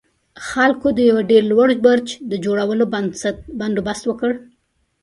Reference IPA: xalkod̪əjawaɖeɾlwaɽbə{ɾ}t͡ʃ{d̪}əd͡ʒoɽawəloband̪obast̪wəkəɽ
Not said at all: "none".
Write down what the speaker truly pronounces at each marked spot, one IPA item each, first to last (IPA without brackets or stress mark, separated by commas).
ɾ, d̪